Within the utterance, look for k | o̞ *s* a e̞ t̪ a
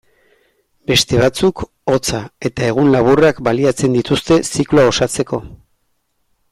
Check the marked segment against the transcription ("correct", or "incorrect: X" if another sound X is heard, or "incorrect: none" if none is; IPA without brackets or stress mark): incorrect: t͡s